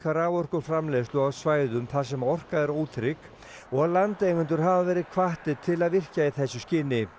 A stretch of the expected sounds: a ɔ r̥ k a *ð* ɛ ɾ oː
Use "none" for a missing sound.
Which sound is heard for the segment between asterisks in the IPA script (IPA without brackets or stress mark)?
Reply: ð